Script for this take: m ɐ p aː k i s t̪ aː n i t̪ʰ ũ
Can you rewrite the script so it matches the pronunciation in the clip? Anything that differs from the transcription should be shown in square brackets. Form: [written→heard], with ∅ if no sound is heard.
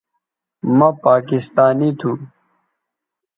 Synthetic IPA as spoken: m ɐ p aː k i s t̪ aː n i t̪ʰ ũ